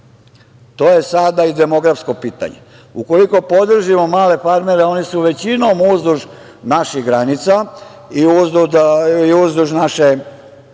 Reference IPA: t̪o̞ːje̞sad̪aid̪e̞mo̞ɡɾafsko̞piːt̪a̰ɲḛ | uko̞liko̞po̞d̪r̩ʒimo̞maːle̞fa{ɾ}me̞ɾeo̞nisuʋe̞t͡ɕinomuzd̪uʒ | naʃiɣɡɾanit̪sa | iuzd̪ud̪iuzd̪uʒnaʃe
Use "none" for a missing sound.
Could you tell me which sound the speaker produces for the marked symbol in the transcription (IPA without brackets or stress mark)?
ɾ